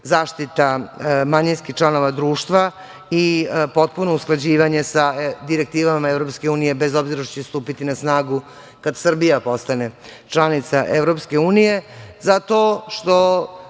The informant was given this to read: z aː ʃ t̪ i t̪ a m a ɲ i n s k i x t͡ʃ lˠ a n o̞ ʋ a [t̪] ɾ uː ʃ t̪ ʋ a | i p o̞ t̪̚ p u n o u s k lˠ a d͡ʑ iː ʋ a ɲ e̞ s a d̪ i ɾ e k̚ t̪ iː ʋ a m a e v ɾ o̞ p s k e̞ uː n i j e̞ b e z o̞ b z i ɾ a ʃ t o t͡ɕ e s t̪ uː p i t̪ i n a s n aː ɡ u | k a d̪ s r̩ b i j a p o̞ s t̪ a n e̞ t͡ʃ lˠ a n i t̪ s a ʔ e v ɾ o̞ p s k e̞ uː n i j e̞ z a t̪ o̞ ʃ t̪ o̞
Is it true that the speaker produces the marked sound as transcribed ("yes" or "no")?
no